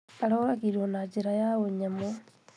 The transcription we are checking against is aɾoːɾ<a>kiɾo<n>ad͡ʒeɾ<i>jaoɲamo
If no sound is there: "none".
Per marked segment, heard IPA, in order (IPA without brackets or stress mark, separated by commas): a, n, a